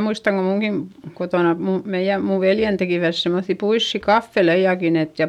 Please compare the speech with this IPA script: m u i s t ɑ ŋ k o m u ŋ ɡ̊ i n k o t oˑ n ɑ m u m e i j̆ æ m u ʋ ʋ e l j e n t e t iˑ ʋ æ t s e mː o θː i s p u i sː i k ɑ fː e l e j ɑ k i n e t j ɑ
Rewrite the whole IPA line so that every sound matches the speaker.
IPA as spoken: m u i s t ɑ ŋ k o m u ŋ ɡ̊ i n k o t oˑ n ɑ m u m e i j̆ æ m u ʋ ʋ e l j e n t e k iˑ ʋ æ t s e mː o θː i p u i sː i k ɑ fː e l e j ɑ k i n e t j ɑ